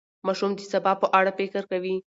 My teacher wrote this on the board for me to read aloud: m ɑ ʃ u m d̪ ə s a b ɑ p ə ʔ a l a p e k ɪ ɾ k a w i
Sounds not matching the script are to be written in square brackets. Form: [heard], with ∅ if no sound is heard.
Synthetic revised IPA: m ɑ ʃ u m d̪ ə s a b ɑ p ə ʔ a [ɽ] a p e k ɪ ɾ k a w i